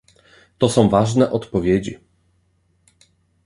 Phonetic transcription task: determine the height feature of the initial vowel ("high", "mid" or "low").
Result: mid